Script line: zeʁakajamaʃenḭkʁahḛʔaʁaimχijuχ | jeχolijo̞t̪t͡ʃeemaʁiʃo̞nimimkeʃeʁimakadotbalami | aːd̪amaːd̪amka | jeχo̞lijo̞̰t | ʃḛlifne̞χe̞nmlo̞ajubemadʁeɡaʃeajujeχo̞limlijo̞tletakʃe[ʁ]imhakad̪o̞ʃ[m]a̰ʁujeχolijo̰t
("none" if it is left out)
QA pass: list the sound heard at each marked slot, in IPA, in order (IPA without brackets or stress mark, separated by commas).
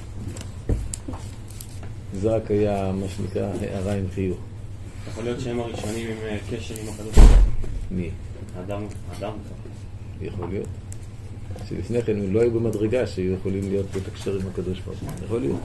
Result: ʁ, b